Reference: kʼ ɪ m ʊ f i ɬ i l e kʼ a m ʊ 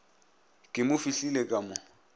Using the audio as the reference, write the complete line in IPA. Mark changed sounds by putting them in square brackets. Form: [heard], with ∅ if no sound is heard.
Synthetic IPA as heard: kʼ ɪ m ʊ f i ɬ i l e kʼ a m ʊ